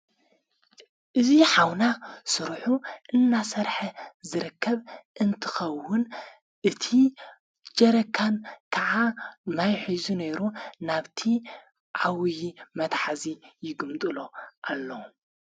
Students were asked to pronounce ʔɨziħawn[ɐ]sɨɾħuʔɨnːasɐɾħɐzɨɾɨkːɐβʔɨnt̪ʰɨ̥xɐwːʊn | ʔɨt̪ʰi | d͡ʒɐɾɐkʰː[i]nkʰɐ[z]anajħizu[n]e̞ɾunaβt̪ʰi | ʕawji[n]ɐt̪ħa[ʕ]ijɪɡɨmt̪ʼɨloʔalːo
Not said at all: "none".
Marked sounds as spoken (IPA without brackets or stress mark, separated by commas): a, a, ʕ, n, m, z